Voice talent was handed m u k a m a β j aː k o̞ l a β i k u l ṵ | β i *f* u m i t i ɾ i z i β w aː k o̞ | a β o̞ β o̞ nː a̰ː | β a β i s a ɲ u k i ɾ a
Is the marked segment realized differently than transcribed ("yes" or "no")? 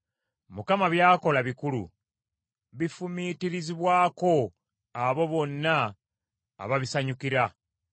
no